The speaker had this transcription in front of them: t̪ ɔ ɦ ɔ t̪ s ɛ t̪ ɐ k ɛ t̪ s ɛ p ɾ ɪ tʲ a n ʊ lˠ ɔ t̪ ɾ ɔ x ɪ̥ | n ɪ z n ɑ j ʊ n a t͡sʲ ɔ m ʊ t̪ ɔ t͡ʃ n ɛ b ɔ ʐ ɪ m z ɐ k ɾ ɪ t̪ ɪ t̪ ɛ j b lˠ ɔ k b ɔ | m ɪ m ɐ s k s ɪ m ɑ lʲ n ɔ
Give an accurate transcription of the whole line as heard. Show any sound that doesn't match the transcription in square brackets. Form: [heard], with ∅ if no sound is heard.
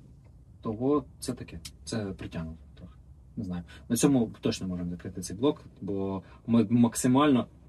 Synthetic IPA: t̪ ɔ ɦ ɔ t̪ s ɛ t̪ ɐ k ɛ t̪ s ɛ p ɾ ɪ tʲ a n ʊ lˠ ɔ t̪ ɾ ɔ x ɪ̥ | n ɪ z n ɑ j ʊ n [ɐ] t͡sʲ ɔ m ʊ t̪ ɔ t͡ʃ n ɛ [m] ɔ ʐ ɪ m z ɐ k ɾ ɪ t̪ ɪ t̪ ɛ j b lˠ ɔ k b ɔ | m ɪ m ɐ [∅] k s ɪ m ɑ lʲ n ɔ